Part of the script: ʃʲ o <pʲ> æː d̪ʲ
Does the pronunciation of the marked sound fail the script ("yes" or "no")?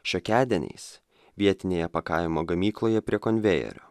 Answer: yes